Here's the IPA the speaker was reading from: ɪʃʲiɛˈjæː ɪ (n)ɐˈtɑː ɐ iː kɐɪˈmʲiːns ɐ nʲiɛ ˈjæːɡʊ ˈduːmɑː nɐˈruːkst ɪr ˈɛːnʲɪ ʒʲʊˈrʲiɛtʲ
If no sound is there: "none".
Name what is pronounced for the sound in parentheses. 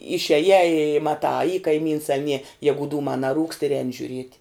m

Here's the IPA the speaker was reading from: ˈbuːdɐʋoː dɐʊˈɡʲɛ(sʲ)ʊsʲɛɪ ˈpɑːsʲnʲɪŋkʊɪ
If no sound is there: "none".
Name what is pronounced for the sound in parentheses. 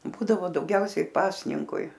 none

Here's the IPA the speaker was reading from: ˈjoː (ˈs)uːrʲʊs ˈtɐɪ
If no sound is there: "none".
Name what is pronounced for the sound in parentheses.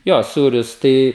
s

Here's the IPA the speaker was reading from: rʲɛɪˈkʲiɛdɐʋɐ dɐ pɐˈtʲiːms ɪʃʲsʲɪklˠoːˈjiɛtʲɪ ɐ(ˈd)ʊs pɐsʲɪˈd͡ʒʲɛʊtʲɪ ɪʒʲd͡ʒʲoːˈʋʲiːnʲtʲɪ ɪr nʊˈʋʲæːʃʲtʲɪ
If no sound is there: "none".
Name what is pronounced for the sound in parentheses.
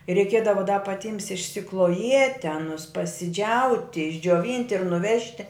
n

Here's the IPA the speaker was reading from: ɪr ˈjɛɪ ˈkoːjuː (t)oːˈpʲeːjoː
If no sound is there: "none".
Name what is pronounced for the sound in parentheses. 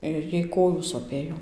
s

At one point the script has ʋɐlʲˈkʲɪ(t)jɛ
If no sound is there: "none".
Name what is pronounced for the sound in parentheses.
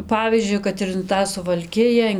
none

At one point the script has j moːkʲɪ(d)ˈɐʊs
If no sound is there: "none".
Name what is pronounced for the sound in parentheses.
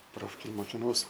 n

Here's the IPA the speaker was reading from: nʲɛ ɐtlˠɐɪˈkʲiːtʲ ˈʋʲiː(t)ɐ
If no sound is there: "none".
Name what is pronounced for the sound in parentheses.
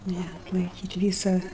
s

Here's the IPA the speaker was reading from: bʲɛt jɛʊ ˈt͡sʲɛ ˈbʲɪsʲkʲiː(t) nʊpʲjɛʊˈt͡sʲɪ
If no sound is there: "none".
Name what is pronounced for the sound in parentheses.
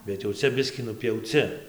none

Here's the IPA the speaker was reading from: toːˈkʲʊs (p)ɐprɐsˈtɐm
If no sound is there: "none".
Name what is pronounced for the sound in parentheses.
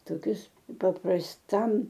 p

